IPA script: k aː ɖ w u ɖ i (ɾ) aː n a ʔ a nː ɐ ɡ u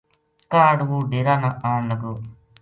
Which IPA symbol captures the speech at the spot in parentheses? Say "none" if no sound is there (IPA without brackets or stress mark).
ɾ